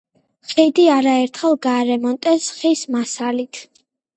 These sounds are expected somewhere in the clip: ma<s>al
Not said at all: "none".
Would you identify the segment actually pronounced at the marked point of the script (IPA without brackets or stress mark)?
s